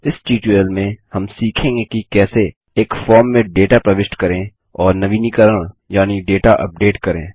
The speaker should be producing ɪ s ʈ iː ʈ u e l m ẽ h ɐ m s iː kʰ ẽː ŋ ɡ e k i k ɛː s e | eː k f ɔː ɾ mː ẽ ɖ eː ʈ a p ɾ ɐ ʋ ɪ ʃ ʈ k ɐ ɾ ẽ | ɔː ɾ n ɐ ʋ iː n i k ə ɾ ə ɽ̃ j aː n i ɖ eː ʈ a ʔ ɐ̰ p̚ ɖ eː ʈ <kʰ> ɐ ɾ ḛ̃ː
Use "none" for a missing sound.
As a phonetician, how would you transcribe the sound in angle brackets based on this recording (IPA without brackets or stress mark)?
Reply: k